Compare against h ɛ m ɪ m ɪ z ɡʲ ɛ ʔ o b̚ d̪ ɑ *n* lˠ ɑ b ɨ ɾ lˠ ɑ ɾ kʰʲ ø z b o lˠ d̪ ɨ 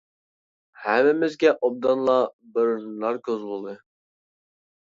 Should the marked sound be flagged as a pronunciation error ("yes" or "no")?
no